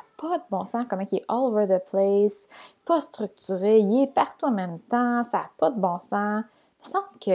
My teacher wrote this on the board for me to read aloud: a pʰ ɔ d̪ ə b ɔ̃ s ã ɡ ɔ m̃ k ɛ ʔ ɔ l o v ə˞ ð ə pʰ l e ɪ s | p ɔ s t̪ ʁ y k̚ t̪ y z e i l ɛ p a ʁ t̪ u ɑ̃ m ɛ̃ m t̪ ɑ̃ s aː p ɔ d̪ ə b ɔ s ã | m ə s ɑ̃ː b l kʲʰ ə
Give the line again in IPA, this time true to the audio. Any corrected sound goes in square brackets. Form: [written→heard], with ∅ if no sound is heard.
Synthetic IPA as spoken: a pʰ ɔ d̪ ə b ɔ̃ s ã [ɡ→k] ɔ m̃ k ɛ ʔ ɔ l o v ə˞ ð ə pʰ l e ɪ s | p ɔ s t̪ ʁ y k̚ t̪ y [z→ʁ] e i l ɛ p a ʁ t̪ u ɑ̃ m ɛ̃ m t̪ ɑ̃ s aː p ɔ d̪ ə b [ɔ→ɔ̃] s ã | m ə s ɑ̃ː b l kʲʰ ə